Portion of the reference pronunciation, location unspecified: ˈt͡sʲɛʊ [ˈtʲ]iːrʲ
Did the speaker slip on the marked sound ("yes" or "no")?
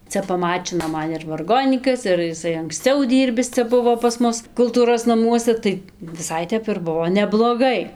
yes